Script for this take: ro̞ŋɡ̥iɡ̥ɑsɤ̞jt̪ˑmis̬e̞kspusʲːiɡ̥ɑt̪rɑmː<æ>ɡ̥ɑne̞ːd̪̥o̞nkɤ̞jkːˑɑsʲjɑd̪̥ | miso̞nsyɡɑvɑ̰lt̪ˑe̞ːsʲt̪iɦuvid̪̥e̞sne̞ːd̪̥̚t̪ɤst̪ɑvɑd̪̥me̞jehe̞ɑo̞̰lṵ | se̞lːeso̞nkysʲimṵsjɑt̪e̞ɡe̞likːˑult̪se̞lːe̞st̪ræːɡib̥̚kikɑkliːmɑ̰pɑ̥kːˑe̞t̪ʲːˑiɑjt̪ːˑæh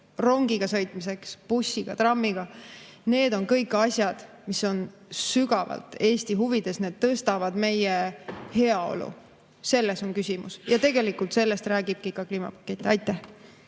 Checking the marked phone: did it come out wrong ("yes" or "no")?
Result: yes